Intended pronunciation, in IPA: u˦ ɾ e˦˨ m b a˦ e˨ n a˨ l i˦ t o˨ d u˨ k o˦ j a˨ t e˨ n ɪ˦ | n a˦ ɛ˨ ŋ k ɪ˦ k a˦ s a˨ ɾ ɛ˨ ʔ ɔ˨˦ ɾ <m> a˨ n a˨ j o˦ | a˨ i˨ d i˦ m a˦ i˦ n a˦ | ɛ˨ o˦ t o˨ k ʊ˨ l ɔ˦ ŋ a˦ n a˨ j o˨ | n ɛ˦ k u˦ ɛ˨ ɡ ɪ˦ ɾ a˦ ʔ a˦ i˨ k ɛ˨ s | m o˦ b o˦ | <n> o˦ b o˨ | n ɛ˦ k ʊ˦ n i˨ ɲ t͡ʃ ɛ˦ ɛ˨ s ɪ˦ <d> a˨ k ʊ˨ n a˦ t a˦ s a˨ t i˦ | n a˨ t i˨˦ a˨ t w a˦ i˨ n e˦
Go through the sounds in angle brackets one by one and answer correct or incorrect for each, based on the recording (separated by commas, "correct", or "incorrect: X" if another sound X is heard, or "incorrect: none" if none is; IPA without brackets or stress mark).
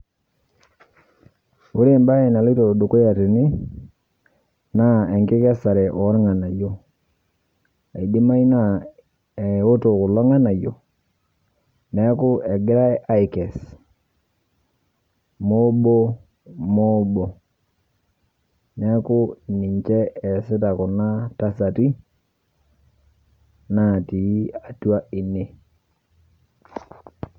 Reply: incorrect: ŋ, incorrect: m, incorrect: t